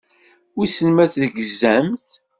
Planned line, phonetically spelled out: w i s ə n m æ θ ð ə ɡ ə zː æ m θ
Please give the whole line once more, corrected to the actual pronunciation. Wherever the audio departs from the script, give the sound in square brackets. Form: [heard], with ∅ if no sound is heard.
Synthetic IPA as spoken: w i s ə n m æ θ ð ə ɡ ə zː æ m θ